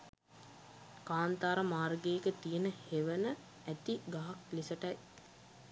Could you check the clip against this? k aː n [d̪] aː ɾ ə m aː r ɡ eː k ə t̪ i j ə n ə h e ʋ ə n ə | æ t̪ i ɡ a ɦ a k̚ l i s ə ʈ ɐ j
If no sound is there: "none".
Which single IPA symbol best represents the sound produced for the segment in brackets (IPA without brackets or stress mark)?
t̪